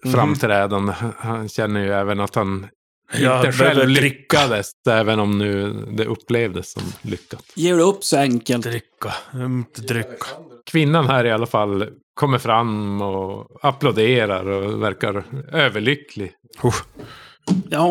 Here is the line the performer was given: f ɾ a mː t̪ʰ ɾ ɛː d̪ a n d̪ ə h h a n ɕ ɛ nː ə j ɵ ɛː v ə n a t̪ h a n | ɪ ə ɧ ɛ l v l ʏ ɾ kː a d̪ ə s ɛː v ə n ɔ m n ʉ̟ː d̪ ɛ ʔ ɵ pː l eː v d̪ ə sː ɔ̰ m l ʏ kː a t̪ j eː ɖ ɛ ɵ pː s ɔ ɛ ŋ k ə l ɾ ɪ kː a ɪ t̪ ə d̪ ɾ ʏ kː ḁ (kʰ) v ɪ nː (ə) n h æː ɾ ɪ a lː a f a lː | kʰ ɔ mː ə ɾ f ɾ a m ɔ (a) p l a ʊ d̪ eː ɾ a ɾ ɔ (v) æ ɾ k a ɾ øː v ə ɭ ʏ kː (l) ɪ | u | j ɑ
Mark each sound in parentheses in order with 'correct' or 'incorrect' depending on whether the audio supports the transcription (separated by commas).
correct, incorrect, correct, correct, correct